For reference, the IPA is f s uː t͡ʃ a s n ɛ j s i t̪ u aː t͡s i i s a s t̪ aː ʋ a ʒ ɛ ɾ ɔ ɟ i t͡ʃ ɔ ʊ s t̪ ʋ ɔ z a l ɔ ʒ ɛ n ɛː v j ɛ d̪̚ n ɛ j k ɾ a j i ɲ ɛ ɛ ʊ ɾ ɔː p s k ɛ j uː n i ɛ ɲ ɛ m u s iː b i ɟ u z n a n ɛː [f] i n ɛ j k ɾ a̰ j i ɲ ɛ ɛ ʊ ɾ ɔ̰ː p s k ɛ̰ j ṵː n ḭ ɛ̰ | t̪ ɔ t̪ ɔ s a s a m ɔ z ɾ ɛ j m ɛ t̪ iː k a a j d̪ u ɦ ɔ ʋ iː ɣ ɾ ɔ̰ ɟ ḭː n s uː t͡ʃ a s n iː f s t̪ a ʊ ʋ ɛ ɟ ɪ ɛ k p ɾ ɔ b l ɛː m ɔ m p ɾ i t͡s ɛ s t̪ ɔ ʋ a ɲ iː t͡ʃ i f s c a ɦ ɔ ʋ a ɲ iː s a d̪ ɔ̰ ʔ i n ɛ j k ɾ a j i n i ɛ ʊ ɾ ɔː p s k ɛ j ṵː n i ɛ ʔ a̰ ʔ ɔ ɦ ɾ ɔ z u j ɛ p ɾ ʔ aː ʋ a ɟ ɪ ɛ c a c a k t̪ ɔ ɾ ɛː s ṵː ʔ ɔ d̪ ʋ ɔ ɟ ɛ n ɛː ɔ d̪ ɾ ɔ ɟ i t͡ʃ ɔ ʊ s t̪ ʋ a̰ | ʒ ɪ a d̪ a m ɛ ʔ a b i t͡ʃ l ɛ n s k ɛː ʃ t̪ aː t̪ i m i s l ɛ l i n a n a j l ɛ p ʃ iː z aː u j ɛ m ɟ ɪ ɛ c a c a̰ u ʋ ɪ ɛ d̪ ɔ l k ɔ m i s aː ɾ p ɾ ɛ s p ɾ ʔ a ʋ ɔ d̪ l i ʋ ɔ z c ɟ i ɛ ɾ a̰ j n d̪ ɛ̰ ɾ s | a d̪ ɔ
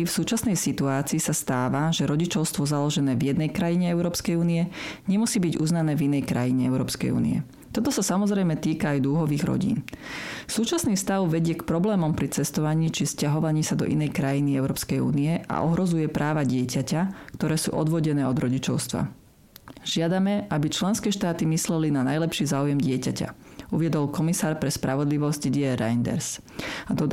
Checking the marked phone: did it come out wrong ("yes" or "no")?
yes